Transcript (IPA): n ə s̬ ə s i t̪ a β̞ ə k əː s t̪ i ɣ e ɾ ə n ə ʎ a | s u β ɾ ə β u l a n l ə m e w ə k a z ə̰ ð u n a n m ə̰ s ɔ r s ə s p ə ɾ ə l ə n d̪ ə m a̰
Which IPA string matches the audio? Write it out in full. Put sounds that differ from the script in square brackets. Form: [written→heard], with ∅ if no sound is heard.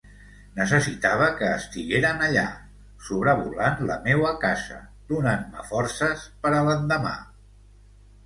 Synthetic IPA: n ə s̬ ə s i t̪ a β̞ ə k əː s t̪ i ɣ e ɾ ə n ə ʎ a | s u β ɾ ə β u l a n l ə m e w ə k a z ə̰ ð u n a n m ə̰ [s→f] ɔ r s ə s p ə ɾ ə l ə n d̪ ə m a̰